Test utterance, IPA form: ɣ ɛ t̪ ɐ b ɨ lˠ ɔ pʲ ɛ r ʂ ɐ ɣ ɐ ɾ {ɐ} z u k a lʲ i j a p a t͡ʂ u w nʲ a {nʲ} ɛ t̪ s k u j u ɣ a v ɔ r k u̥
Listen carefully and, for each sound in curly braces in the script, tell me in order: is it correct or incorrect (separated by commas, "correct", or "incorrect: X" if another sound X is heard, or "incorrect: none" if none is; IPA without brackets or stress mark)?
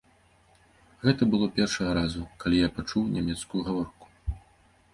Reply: incorrect: a, incorrect: mʲ